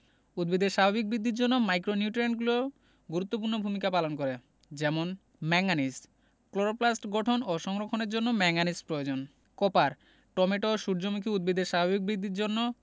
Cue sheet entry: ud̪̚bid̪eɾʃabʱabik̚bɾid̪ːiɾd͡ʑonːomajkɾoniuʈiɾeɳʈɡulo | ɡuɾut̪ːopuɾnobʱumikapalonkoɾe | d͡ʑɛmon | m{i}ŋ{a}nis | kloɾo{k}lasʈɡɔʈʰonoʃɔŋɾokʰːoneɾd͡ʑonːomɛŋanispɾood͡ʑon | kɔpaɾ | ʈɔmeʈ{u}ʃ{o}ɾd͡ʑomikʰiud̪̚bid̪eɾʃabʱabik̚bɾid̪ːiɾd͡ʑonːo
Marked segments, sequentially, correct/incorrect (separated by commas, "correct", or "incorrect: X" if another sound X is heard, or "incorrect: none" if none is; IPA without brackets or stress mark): incorrect: ɛ, correct, incorrect: p, incorrect: o, incorrect: u